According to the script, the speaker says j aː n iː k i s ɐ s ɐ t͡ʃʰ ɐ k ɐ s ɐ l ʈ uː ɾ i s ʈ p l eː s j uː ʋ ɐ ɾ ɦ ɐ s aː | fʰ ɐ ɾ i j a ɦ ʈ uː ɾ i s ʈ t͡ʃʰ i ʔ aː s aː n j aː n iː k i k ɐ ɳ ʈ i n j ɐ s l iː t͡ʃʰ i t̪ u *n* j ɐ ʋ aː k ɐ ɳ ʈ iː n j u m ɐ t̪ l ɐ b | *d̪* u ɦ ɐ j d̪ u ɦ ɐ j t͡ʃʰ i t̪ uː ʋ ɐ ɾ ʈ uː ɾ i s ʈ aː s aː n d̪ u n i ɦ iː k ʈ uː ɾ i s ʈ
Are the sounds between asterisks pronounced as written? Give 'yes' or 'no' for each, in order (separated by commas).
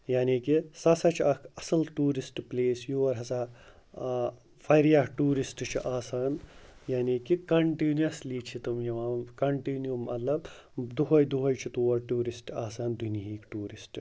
no, yes